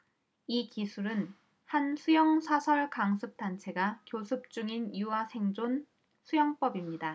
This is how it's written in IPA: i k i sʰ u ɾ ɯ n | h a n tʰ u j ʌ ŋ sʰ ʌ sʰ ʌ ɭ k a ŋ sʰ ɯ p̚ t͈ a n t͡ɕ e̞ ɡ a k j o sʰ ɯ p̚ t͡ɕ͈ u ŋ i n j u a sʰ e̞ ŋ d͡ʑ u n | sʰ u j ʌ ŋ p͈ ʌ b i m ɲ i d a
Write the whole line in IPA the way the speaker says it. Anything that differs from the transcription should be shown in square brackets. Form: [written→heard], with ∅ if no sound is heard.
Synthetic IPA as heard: i k i sʰ u ɾ ɯ n | h a n [tʰ→sʰ] u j ʌ ŋ sʰ [ʌ→a] sʰ ʌ ɭ k a ŋ sʰ ɯ p̚ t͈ a n [t͡ɕ→t͡ɕʰ] e̞ ɡ a k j o sʰ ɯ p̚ t͡ɕ͈ u ŋ i n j u a sʰ e̞ ŋ d͡ʑ [u→o] n | sʰ u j ʌ ŋ p͈ ʌ b i m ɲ i d a